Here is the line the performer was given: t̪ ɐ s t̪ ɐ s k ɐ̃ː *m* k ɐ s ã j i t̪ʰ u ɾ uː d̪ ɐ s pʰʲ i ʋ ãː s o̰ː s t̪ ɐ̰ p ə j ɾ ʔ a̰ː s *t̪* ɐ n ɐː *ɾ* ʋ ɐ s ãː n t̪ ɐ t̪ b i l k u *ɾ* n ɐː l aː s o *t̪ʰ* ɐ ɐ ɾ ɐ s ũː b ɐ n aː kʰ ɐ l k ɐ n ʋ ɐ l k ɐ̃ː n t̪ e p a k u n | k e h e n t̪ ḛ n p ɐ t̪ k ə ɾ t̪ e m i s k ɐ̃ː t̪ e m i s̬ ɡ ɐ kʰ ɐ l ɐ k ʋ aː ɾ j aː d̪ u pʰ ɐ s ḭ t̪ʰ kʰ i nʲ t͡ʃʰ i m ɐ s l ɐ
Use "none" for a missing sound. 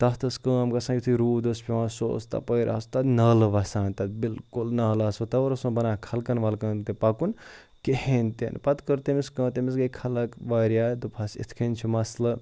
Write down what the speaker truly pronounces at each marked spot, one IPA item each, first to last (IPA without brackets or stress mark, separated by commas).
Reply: m, t̪, l, l, t̪